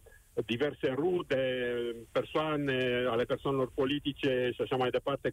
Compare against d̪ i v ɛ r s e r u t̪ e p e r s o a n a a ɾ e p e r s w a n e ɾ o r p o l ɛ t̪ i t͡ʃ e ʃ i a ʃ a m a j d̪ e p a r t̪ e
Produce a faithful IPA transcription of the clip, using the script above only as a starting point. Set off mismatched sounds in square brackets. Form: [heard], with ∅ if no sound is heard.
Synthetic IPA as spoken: d̪ i v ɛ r s e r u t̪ e p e r s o a n [e] a [l] e p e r s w a n e [l] o r p o l [i] t̪ i t͡ʃ e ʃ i a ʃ a m a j d̪ e p a r t̪ e